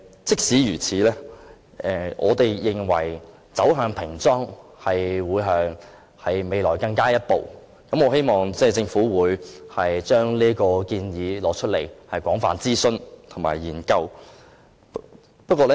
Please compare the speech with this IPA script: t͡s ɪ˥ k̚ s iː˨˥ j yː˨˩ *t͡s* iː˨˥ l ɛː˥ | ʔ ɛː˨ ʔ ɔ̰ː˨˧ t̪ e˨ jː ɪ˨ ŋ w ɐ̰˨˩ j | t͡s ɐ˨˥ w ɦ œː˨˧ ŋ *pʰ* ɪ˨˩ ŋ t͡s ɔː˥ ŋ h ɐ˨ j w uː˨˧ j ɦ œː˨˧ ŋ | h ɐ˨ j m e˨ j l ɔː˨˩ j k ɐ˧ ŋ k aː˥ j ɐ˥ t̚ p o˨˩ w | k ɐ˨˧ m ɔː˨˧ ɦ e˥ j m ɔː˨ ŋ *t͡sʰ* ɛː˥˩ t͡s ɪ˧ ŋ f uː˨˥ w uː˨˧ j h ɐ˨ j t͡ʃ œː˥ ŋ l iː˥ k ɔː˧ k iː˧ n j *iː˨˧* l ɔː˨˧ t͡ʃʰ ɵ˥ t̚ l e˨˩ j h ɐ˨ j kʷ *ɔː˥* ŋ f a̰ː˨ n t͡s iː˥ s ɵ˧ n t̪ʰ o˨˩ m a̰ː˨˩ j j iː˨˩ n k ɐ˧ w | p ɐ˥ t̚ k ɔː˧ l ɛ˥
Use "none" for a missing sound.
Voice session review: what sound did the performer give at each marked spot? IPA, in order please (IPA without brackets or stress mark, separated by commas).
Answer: t͡sʰ, pʰ, t͡s, iː˨˧, ɔː˨˥